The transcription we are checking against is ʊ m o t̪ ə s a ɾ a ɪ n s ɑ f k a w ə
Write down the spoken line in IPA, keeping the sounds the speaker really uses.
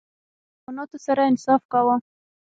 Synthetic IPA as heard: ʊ n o t̪ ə s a ɾ a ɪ n s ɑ f k a w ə